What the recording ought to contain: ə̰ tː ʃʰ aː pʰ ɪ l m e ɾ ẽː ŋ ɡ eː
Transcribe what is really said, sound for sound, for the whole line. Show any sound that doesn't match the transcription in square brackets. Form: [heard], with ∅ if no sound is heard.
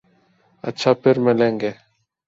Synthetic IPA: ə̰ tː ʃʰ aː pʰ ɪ [ɾ] m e [l] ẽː ŋ ɡ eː

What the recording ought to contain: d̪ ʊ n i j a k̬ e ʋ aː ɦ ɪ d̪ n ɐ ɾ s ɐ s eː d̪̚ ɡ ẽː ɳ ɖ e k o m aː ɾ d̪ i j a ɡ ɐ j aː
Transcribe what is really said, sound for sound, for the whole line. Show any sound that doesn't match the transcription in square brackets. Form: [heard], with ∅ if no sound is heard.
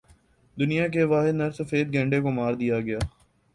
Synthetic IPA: d̪ ʊ n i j a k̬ e ʋ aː ɦ ɪ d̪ n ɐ ɾ s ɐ [f] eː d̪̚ ɡ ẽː ɳ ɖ e k o m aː ɾ d̪ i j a ɡ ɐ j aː

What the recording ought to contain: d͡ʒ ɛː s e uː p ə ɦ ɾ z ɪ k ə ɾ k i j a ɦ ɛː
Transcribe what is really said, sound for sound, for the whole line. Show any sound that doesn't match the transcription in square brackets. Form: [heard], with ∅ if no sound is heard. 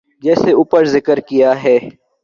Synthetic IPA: d͡ʒ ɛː s e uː p ə [∅] ɾ z ɪ k ə ɾ k i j a ɦ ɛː

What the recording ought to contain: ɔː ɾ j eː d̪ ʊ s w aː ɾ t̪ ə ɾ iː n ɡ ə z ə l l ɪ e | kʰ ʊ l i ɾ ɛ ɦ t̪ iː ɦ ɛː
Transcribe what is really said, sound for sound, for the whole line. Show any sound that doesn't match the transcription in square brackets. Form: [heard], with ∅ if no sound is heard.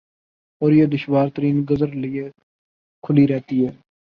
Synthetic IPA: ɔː ɾ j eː d̪ ʊ [ʃ] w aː ɾ t̪ ə ɾ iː n ɡ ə z ə [ɾ] l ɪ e | kʰ ʊ l i ɾ ɛ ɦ t̪ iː ɦ ɛː

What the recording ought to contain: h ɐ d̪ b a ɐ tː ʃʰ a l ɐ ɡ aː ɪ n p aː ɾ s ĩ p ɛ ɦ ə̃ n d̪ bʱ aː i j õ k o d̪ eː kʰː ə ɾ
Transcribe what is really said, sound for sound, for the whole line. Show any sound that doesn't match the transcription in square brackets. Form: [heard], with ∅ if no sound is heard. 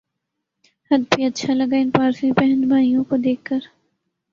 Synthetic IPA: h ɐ d̪ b [i] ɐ tː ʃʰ a l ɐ ɡ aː ɪ n p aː ɾ s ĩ p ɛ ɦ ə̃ n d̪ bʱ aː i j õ k o d̪ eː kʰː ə ɾ

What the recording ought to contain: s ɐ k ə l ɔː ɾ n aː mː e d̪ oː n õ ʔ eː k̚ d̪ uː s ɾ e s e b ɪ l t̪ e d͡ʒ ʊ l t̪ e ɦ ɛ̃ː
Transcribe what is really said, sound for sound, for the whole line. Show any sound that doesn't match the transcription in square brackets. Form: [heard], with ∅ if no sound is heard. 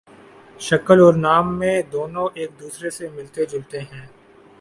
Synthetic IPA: [ʃ] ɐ k ə l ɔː ɾ n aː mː [ẽ] d̪ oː n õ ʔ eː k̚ d̪ uː s ɾ e s e [m] ɪ l t̪ e d͡ʒ ʊ l t̪ e ɦ ɛ̃ː

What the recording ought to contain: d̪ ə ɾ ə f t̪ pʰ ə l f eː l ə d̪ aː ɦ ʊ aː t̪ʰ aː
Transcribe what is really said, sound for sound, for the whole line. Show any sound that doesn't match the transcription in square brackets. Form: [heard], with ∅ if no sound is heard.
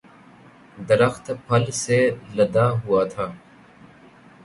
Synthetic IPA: d̪ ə ɾ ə [x] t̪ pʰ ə l [s] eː l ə d̪ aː ɦ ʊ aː t̪ʰ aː

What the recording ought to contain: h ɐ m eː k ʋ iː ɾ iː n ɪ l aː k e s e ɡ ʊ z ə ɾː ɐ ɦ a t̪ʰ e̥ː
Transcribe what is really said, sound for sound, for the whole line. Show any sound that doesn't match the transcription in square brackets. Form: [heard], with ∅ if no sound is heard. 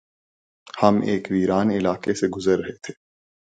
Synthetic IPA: h ɐ m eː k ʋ iː ɾ [aː] n ɪ l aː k e s e ɡ ʊ z ə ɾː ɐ ɦ [e] t̪ʰ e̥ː

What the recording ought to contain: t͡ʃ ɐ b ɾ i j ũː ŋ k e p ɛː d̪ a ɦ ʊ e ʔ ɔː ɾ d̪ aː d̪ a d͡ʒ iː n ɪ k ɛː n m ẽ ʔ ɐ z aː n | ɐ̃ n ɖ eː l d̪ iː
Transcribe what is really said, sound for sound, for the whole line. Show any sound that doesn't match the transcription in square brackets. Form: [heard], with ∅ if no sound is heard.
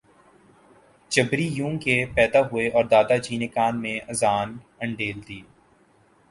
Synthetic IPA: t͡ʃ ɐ b ɾ i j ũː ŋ k e p ɛː d̪ a ɦ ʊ e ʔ ɔː ɾ d̪ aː d̪ a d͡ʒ iː n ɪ k [aː] n m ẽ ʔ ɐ z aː n | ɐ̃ [ɳ] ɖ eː l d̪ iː

